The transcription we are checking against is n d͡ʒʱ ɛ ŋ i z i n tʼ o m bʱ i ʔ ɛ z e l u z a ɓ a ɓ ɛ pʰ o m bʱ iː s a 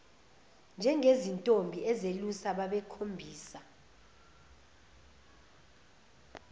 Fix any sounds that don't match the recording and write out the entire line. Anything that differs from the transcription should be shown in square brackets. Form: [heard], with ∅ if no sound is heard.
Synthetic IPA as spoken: n d͡ʒʱ ɛ ŋ [e] z i n tʼ o m bʱ i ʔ ɛ z e l u [s] a ɓ a ɓ ɛ [kʰ] o m bʱ iː s a